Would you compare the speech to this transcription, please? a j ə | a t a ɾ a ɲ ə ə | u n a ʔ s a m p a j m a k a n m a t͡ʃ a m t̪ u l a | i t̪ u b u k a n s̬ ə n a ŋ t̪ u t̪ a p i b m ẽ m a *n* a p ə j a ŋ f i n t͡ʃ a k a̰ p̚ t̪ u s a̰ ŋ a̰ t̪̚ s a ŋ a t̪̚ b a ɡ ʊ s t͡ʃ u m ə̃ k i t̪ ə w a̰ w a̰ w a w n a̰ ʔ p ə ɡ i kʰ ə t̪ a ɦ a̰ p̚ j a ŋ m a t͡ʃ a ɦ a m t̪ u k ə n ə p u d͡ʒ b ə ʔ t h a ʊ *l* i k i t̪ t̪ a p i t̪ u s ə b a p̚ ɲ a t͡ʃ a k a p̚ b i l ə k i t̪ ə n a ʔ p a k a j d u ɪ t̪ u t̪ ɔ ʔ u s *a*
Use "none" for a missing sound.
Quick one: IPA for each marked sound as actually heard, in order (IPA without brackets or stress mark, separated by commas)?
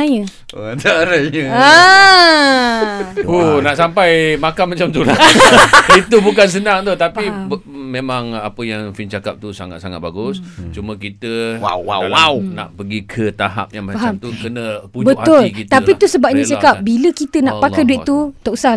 ŋ, l, a